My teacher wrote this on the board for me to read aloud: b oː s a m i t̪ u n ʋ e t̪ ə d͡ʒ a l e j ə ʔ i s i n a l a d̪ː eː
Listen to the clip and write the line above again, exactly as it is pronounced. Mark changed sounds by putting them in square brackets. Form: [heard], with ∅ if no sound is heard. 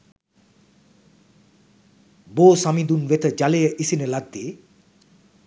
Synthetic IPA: b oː s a m i [d̪] u n ʋ e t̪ ə d͡ʒ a l e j ə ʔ i s i n [ə] l a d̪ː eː